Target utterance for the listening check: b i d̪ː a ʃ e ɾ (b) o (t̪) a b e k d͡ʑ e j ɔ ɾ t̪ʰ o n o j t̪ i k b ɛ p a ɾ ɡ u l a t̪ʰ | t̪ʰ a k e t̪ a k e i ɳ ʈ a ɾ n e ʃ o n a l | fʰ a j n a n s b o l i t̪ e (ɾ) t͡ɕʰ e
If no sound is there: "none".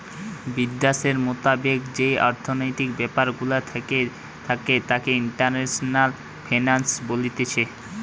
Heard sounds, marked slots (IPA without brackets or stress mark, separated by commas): m, t̪, none